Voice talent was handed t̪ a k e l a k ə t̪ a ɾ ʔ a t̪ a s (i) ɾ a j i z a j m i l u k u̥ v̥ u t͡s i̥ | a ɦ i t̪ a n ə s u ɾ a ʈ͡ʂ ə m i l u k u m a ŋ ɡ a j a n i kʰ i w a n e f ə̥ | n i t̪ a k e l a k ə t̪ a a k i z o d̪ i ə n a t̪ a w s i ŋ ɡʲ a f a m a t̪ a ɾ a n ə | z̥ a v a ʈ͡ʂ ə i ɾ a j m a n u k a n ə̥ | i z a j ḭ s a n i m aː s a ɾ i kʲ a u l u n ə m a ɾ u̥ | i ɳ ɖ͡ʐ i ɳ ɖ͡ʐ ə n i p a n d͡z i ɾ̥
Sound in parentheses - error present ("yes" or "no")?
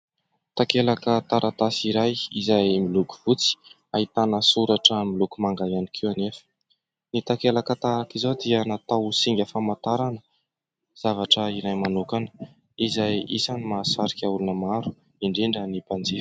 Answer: no